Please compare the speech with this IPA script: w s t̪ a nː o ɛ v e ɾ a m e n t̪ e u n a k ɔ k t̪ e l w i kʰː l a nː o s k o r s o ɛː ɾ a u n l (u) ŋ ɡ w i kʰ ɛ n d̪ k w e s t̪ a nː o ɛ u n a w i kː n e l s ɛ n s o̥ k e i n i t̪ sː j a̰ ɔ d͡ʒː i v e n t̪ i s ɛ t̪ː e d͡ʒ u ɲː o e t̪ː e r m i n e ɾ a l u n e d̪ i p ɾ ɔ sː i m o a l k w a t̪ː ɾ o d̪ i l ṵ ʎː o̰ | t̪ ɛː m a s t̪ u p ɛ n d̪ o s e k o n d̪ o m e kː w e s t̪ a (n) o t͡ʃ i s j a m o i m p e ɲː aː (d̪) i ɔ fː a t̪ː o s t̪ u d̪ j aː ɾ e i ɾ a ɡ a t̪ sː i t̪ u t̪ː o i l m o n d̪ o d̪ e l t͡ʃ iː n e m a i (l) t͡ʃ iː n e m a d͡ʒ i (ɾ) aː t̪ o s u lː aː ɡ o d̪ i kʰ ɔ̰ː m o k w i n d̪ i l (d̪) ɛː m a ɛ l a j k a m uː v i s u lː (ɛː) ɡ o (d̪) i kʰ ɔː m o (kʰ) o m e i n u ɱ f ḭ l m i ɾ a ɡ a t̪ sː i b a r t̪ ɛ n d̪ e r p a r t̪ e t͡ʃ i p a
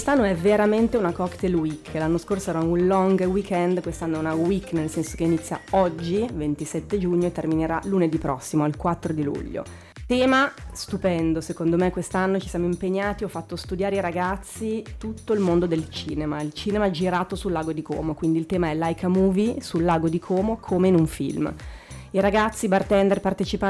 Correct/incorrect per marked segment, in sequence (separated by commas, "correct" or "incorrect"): incorrect, incorrect, incorrect, correct, correct, incorrect, incorrect, correct, correct